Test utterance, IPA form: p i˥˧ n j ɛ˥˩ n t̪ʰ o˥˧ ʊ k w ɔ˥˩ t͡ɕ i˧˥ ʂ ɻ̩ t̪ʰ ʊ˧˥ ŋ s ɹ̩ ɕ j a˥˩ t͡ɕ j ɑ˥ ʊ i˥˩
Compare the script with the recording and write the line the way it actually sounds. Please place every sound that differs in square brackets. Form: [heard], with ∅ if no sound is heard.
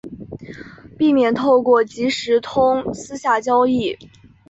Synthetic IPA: p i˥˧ [m] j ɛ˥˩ n t̪ʰ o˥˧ ʊ k w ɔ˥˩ t͡ɕ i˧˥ ʂ ɻ̩ t̪ʰ [ʊ˥] ŋ s ɹ̩ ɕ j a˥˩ t͡ɕ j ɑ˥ ʊ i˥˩